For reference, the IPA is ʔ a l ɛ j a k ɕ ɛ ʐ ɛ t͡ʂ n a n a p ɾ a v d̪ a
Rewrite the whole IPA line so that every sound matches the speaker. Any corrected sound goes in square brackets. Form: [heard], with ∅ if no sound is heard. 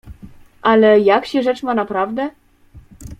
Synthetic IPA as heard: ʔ a l ɛ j a k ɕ ɛ ʐ ɛ t͡ʂ [m] a n a p ɾ a v d̪ [ɛ]